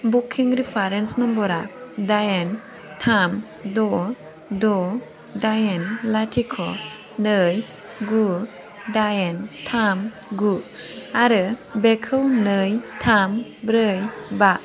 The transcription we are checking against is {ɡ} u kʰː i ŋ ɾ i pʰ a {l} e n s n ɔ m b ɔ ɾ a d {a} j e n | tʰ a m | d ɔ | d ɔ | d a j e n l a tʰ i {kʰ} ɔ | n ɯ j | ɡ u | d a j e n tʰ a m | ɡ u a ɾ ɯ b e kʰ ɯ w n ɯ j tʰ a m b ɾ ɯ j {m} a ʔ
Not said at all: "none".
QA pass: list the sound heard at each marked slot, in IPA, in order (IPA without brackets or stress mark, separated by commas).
b, ɾ, a, kʰ, b